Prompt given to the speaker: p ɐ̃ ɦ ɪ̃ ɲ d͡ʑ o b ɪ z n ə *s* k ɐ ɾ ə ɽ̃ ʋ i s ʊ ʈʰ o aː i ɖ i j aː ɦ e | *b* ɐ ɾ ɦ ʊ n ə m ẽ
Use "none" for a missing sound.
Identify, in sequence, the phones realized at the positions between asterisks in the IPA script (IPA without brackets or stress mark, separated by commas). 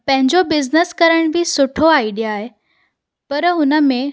s, p